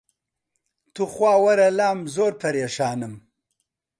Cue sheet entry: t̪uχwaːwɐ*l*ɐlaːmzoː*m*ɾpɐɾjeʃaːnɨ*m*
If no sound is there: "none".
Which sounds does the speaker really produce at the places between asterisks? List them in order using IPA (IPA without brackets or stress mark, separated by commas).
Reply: ɾ, none, m